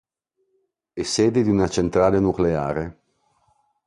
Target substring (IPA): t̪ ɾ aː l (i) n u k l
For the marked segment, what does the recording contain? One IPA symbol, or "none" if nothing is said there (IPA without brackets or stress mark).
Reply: e